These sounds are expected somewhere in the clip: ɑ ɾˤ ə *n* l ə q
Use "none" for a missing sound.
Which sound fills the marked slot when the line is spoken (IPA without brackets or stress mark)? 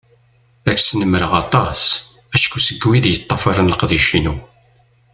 n